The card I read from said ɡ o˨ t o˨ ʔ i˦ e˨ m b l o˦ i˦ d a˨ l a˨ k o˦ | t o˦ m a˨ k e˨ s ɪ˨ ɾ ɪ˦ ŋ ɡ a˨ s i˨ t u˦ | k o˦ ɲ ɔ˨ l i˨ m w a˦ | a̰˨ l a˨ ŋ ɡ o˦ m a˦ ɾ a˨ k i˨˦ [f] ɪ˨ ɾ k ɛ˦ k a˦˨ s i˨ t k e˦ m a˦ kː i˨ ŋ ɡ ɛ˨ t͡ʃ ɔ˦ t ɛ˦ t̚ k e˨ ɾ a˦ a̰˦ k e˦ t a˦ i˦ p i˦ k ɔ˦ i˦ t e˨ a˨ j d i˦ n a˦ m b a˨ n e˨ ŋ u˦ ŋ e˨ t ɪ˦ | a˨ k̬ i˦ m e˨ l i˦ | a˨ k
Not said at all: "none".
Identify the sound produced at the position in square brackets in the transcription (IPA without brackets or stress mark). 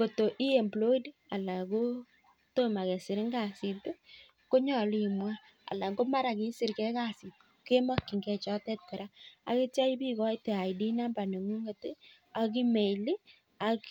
s